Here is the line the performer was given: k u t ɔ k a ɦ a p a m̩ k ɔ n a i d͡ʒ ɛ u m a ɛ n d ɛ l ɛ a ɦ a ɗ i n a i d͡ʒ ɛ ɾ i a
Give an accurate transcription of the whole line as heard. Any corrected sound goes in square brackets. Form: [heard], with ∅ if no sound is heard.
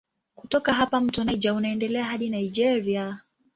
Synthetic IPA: k u t ɔ k a ɦ a p a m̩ [t] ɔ n a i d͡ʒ [a] u [n] a ɛ n d ɛ l ɛ a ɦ a ɗ i n a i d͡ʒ ɛ ɾ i a